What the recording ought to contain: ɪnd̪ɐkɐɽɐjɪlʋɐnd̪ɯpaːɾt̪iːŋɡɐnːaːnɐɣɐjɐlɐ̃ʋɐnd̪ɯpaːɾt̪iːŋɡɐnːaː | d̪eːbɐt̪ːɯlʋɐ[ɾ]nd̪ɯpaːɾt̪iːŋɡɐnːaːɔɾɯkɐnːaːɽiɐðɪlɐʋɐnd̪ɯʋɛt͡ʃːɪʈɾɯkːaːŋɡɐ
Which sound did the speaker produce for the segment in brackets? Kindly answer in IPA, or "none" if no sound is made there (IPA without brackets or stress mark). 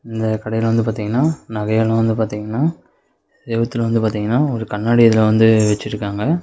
none